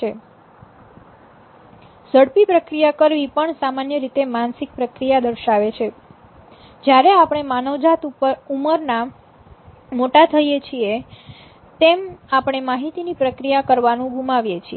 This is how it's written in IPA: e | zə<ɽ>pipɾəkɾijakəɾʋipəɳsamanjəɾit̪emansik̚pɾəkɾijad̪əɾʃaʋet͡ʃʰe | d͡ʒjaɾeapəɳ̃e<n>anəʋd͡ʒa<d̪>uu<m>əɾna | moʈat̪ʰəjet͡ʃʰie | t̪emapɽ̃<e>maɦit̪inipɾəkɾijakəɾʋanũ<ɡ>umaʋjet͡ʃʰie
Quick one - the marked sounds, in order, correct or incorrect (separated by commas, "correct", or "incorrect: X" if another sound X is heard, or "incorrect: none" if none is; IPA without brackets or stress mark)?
correct, incorrect: m, incorrect: t̪, correct, correct, correct